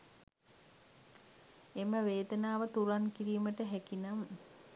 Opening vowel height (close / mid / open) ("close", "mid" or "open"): mid